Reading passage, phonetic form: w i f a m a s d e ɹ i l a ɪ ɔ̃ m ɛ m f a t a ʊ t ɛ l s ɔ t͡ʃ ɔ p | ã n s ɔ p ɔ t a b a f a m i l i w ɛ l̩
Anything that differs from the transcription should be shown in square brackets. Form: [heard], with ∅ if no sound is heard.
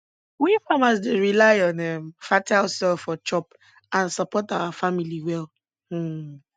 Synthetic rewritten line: w i f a m a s d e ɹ i l a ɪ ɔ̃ [n] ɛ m f a t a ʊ [s] ɛ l [f] ɔ t͡ʃ ɔ p | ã n s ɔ p ɔ t a [w] a f a m i l i w ɛ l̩